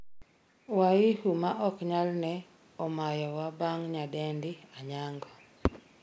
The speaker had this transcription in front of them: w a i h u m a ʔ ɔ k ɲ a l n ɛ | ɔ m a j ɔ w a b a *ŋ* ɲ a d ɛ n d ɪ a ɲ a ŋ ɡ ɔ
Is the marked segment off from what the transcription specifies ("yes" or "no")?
no